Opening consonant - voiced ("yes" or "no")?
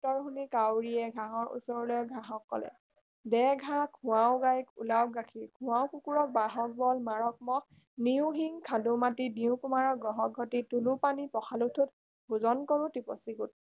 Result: no